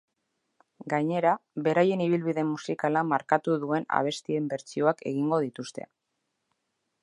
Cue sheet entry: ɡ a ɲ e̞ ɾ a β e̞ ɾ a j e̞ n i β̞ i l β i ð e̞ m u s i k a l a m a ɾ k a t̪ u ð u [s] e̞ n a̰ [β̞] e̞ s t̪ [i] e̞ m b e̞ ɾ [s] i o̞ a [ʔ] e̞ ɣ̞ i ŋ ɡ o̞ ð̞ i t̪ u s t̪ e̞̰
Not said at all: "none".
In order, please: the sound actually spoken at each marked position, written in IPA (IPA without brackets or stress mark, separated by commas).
none, β̞, i, t͡s, k